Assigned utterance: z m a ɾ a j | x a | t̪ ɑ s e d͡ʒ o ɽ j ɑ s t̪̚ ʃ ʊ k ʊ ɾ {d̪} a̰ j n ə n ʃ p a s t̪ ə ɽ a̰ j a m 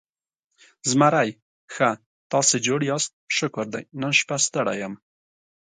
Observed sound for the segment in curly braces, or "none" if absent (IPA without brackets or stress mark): d̪